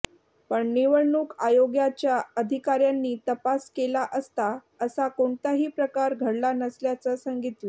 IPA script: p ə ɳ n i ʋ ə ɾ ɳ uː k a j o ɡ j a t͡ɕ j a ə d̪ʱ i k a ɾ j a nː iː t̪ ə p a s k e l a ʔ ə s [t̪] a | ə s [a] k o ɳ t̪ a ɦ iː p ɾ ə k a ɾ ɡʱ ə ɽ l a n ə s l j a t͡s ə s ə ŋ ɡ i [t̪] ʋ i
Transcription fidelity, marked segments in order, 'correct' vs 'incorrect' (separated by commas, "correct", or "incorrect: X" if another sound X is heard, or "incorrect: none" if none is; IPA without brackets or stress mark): correct, correct, correct